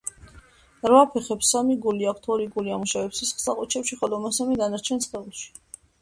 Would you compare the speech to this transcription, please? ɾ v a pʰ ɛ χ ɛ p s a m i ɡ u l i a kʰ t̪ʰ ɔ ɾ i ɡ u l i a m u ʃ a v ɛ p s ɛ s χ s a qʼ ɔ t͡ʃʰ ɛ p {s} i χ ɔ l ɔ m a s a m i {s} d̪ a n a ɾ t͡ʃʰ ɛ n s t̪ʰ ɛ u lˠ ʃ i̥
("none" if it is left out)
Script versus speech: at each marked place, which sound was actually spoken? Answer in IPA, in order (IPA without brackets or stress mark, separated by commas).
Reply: ʃ, none